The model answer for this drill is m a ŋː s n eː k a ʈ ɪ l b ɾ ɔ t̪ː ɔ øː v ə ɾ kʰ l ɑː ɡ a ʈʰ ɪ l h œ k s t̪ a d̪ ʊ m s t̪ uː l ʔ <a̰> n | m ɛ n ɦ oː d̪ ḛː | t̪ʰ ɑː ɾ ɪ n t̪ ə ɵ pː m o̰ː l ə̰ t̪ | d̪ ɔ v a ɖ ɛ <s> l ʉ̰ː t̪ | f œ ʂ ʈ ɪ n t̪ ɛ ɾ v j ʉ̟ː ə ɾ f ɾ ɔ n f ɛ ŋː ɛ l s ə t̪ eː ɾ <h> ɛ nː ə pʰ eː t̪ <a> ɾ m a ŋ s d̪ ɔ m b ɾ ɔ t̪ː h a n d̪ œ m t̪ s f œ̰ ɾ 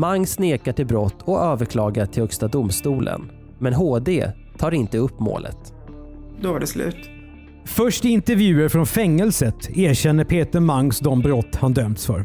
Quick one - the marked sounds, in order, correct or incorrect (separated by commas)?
incorrect, correct, incorrect, incorrect